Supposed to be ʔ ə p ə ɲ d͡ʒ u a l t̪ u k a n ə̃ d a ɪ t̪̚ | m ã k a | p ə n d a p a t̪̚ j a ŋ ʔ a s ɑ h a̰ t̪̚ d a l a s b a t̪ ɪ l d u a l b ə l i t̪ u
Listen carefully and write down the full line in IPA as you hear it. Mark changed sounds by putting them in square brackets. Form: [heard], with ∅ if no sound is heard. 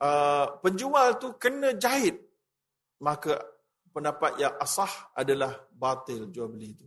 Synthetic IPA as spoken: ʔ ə p ə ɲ d͡ʒ u a l t̪ u k [ə] n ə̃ [d͡ʒ] a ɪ t̪̚ | m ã k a | p ə n d a p a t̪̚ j a ŋ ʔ a s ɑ h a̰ [∅] d a l a [h] b a t̪ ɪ l [d͡ʒ] u a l b ə l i t̪ u